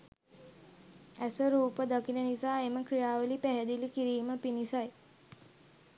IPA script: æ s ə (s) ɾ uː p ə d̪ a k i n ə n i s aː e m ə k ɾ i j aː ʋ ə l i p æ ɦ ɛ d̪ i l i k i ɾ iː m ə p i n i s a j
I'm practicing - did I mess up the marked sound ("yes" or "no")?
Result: yes